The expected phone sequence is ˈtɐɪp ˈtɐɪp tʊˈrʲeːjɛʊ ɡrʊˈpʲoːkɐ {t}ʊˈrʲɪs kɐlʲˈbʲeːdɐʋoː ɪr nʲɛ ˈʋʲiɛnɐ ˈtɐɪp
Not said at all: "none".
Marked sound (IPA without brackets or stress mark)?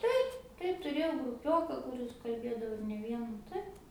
k